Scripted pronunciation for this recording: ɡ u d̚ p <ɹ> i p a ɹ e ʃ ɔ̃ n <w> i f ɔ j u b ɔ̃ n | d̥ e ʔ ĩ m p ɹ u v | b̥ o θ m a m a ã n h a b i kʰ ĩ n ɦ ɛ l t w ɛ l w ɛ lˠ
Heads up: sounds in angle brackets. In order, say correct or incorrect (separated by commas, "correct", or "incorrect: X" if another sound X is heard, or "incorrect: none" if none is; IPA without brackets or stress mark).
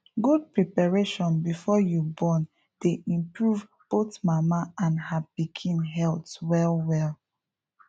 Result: correct, incorrect: b